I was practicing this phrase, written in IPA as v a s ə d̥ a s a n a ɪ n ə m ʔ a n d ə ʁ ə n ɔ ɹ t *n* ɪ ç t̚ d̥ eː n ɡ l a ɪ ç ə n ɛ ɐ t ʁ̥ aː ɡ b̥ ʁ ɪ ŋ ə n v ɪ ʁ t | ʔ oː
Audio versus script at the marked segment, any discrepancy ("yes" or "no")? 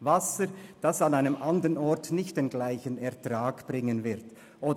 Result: no